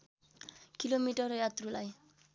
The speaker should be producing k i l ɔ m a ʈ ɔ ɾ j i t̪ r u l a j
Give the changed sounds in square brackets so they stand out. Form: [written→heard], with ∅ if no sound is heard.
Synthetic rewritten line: k i l [ɔ→o] m [a→i] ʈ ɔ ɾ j [i→a] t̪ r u l a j